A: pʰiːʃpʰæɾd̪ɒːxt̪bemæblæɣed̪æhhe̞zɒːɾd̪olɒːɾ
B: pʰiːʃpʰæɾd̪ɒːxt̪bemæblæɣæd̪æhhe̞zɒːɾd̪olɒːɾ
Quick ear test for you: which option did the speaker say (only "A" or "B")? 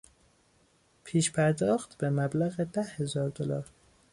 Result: A